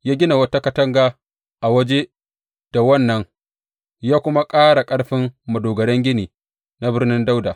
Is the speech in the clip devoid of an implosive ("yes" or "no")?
yes